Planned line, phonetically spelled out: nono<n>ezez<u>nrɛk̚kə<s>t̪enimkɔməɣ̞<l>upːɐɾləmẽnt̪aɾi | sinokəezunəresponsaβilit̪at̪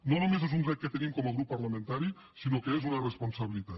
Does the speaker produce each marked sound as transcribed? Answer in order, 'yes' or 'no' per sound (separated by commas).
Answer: no, yes, no, no